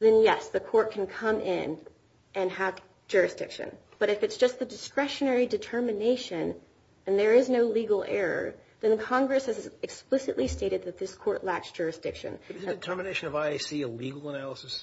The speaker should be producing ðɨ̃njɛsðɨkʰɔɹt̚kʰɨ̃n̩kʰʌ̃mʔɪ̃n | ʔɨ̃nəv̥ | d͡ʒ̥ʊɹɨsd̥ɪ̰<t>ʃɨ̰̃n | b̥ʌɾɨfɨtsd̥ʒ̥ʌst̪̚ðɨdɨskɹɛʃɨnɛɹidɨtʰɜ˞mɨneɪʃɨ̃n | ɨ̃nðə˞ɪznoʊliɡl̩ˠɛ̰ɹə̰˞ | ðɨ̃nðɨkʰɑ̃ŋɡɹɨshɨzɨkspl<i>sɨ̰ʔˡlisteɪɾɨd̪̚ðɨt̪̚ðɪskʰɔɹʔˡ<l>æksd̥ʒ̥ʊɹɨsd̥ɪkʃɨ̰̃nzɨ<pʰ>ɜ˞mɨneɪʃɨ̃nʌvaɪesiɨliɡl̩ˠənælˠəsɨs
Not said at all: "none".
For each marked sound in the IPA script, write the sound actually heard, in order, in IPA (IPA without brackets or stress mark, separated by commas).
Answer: k, ɪ, l, tʰ